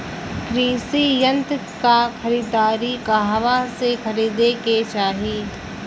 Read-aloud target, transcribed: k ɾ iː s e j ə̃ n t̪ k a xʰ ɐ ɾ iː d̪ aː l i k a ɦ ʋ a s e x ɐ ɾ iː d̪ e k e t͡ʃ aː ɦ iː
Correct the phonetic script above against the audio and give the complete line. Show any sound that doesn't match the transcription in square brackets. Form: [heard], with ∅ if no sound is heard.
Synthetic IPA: k ɾ iː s [i] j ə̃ n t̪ k a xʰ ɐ ɾ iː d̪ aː [ɾ] i k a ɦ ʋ a s e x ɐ ɾ iː d̪ e k e t͡ʃ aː ɦ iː